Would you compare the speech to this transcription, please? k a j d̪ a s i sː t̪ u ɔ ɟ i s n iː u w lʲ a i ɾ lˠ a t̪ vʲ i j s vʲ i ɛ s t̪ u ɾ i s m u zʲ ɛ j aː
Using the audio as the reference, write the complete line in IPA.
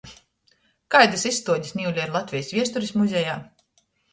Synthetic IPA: k a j d̪ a s i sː t̪ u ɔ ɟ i s n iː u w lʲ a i ɾ lˠ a t̪ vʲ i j s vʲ i ɛ s t̪ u ɾ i s m u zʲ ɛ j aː